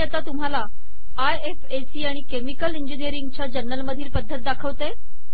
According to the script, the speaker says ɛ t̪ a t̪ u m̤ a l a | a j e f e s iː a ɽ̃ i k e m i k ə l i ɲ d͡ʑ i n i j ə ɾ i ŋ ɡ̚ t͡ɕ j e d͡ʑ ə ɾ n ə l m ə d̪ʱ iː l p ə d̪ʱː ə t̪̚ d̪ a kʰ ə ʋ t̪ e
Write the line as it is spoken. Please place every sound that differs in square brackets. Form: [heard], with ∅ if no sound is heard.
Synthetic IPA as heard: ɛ t̪ a t̪ u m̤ a l a | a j e f e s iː a ɽ̃ i k e m i k ə l i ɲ d͡ʑ i n i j ə ɾ i ŋ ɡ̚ t͡ɕ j [a] d͡ʑ ə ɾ n ə l m ə d̪ʱ iː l p ə d̪ʱː ə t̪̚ d̪ a kʰ ə ʋ t̪ e